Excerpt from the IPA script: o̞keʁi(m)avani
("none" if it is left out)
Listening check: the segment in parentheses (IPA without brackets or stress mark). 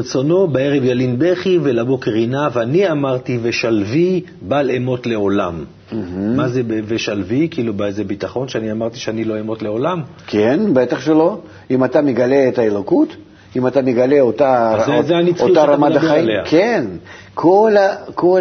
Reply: n